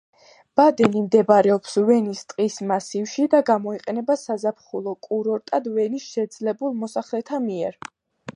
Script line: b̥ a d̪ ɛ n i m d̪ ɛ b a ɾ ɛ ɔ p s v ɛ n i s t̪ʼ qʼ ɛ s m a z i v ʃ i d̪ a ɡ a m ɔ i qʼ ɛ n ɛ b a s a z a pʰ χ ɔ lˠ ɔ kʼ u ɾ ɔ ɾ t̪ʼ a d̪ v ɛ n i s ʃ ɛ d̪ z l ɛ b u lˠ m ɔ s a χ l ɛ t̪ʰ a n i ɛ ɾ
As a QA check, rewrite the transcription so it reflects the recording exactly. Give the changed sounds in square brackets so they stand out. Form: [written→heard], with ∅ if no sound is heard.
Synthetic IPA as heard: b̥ a d̪ ɛ n i m d̪ ɛ b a ɾ ɛ ɔ p s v ɛ n i s t̪ʼ qʼ [ɛ→i] s m a [z→s] i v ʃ i d̪ a ɡ a m ɔ i qʼ ɛ n ɛ b a s a z a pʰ χ [ɔ→u] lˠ ɔ kʼ u ɾ ɔ ɾ t̪ʼ a d̪ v ɛ n i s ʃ ɛ d̪ z l ɛ b u lˠ m ɔ s a χ l ɛ t̪ʰ a [n→m] i ɛ ɾ